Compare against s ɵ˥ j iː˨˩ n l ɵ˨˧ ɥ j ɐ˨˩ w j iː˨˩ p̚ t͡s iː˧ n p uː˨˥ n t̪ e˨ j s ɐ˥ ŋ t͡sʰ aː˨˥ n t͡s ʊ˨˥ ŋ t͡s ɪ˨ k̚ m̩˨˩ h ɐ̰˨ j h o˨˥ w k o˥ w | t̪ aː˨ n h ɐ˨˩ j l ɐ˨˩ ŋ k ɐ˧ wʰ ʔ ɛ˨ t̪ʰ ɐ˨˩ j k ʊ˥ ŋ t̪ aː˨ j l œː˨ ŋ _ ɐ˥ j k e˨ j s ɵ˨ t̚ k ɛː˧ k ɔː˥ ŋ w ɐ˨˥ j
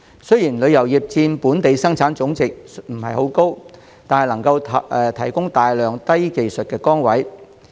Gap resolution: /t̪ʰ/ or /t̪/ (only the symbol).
t̪